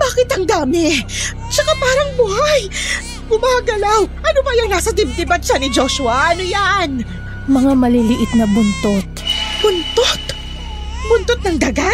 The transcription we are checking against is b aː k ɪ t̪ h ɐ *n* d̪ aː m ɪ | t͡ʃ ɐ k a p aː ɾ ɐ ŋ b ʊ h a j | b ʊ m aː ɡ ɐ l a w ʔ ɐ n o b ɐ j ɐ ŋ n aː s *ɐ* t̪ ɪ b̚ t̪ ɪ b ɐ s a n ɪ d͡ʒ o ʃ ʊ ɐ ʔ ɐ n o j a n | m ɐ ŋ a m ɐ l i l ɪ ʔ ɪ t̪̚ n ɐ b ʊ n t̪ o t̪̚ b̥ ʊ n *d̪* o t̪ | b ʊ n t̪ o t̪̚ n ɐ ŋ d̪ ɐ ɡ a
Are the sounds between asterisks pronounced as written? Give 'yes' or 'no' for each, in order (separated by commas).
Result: no, yes, no